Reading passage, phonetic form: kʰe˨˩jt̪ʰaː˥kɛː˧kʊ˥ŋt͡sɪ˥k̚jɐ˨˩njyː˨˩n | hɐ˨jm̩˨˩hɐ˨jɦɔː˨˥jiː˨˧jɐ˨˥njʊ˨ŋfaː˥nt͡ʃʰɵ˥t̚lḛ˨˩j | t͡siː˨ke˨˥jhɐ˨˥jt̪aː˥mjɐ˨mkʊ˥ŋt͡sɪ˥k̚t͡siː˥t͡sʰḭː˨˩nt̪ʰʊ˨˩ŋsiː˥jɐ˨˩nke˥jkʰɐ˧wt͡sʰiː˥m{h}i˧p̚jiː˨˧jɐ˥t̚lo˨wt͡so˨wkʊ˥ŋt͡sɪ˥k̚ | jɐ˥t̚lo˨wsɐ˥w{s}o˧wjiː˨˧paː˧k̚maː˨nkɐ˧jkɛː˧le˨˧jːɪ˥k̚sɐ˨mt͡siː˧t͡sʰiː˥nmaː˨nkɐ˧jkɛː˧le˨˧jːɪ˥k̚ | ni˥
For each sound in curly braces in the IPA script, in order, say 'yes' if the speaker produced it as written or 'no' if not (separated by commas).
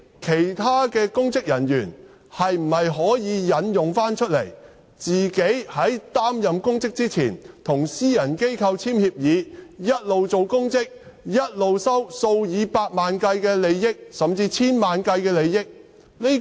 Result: yes, yes